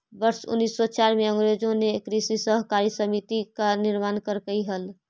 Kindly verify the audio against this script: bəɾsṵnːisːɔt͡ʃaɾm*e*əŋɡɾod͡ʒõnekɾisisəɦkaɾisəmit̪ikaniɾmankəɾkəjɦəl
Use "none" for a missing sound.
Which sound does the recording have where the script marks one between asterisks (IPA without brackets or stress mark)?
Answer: e